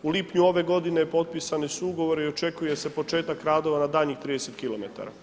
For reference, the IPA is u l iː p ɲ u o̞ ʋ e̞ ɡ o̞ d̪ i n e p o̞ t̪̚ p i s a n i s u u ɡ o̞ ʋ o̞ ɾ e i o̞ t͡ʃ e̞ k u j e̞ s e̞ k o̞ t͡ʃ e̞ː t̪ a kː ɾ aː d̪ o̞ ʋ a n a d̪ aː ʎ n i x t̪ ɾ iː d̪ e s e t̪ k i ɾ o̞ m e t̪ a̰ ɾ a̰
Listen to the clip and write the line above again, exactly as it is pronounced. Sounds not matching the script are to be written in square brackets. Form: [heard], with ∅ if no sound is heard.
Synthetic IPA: u l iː p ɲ u o̞ ʋ e̞ ɡ o̞ d̪ i n e p o̞ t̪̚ p i s a n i s u u ɡ o̞ ʋ o̞ ɾ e i o̞ t͡ʃ e̞ k u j e̞ s e̞ [p] o̞ t͡ʃ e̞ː t̪ a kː ɾ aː d̪ o̞ ʋ a n a d̪ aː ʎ [ɲ] i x t̪ ɾ iː d̪ e s e t̪ k i [l] o̞ m e t̪ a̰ ɾ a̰